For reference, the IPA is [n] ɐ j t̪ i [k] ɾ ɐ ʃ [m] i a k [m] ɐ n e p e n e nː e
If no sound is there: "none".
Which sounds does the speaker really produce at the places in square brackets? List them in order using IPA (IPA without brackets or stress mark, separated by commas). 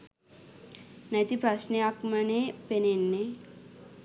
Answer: n, p, n, m